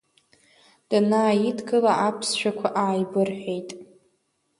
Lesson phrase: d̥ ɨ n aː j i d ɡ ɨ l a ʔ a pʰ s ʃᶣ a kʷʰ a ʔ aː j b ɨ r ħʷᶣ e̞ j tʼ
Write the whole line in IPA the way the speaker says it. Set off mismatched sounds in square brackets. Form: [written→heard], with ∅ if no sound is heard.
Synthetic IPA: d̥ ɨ n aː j i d ɡ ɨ l a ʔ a pʰ s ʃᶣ a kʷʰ a ʔ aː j b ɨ r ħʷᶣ e̞ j tʼ